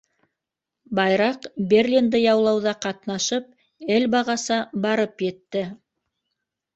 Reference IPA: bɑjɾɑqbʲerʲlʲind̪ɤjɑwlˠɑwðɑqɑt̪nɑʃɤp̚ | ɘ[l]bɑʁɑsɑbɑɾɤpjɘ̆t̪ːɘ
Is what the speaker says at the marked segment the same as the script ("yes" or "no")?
yes